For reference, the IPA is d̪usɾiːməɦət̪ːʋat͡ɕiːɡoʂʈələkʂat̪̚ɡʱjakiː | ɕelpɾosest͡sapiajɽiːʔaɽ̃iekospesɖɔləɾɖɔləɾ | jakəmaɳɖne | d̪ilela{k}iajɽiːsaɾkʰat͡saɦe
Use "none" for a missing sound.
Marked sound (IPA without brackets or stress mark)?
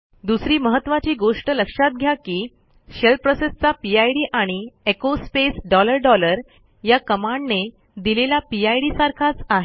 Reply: p